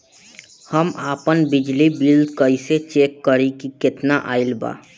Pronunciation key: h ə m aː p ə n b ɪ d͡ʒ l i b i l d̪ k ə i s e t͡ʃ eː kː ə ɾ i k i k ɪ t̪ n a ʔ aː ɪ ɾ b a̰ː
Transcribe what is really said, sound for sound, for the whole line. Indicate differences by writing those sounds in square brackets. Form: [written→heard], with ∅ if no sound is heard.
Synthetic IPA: h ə m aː p ə n b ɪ d͡ʒ l i b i l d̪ k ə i s e t͡ʃ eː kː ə ɾ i k i k ɪ t̪ n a ʔ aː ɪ [ɾ→l] b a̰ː